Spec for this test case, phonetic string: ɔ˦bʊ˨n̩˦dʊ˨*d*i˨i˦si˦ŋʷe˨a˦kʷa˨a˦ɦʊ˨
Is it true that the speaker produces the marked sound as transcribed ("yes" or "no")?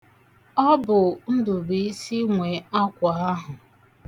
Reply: no